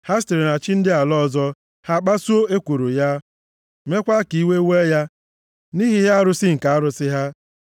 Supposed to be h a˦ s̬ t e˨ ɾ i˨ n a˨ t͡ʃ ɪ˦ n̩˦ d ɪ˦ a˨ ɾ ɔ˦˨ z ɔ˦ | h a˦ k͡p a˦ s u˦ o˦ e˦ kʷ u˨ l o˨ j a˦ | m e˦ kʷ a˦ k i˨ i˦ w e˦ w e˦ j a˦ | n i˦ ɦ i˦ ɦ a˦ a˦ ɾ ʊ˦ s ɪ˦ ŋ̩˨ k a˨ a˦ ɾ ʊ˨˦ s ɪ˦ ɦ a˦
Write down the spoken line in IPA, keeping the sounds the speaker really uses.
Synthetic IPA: h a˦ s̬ t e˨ ɾ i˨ n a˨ t͡ʃ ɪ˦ n̩˦ d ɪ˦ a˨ l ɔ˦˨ z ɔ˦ | h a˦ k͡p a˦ s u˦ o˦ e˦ kʷ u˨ ɾ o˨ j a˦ | m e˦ kʷ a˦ k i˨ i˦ w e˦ w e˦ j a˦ | n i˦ ɦ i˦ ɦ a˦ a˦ ɾ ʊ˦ s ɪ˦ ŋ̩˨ k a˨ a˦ ɾ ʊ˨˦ s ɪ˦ ɦ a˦